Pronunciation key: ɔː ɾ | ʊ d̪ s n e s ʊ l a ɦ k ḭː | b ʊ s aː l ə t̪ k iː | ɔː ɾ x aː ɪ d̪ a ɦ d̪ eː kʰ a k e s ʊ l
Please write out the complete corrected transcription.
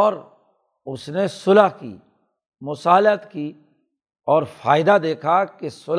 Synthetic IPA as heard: ɔː ɾ | ʊ s n e s ʊ l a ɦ k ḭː | m ʊ s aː l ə t̪ k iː | ɔː ɾ f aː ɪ d̪ a d̪ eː kʰ a k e s ʊ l